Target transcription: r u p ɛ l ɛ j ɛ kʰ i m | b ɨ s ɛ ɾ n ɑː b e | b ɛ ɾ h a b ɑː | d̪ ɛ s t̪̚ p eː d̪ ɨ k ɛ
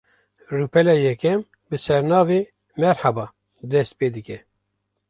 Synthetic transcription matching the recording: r u p ɛ l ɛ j ɛ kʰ ɛ m | b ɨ s ɛ ɾ n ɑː v e | m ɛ ɾ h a b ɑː | d̪ ɛ s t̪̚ p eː d̪ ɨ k ɛ